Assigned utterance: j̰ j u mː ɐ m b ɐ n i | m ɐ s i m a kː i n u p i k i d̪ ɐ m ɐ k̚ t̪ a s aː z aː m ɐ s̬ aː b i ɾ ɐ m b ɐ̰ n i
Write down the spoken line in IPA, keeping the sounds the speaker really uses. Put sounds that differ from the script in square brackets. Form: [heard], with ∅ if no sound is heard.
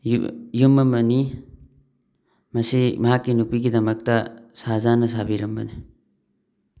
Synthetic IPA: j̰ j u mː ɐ m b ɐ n i | m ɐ s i m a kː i n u p i k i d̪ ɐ m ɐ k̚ t̪ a s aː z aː [n] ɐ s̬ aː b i ɾ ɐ m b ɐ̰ n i

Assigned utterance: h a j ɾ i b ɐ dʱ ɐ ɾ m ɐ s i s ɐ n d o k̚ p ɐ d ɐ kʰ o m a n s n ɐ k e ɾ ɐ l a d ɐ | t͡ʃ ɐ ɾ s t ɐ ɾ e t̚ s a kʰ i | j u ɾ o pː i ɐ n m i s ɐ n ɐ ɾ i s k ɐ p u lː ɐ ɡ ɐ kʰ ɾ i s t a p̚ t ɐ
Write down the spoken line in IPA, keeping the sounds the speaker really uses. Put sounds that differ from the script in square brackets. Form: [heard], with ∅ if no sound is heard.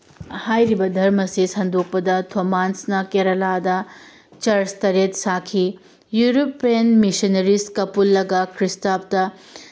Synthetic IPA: h a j ɾ i b ɐ dʱ ɐ ɾ m ɐ s i s ɐ n d o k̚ p ɐ d ɐ [tʰ] o m a n s n ɐ k e ɾ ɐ l a d ɐ | t͡ʃ ɐ ɾ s t ɐ ɾ e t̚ s a kʰ i | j u ɾ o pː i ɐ n m i s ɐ n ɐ ɾ i s k ɐ p u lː ɐ ɡ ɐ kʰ ɾ i s t a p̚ t ɐ

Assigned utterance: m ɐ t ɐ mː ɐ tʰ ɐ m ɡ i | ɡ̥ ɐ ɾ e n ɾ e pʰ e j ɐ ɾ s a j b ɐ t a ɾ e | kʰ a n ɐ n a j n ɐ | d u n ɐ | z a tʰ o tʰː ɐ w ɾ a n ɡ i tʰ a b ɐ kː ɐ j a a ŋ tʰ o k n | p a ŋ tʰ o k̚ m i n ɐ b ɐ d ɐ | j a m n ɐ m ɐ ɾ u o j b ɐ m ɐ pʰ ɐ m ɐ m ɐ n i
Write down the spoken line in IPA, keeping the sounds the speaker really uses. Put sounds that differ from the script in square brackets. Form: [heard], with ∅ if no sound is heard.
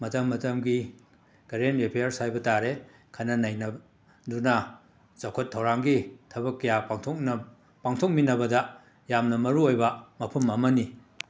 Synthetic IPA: m ɐ t ɐ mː ɐ [t] ɐ m ɡ i | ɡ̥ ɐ ɾ e n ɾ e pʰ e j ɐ ɾ s a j b ɐ t a ɾ e | kʰ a n ɐ n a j n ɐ | d u n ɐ | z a [kʰ] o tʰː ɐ w ɾ a [ŋ] ɡ i tʰ [ɐ] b ɐ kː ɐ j a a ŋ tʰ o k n | p a ŋ tʰ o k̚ m i n ɐ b ɐ d ɐ | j a m n ɐ m ɐ ɾ u o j b ɐ m ɐ pʰ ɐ m ɐ m ɐ n i

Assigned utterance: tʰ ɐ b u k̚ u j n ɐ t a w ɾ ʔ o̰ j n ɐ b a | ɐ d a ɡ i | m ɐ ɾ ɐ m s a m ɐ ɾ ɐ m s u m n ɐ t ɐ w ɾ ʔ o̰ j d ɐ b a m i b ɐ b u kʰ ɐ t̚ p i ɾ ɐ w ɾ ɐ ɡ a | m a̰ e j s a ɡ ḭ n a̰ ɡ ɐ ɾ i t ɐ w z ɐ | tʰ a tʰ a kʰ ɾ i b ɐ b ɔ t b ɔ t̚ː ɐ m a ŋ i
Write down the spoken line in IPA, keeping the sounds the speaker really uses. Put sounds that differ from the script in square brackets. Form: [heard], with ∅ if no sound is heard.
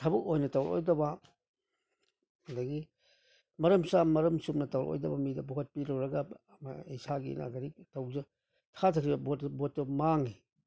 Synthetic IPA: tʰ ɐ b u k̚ [o] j n ɐ t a w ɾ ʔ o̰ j [d] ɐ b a | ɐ d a ɡ i | m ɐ ɾ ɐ m s a m ɐ ɾ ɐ m s u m n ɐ t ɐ w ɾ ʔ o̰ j d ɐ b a m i [d] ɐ b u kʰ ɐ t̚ p i ɾ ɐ w ɾ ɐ ɡ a | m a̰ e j s a ɡ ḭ n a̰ ɡ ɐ ɾ i t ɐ w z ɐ | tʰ a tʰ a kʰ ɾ i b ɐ b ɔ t b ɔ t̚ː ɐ m a ŋ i

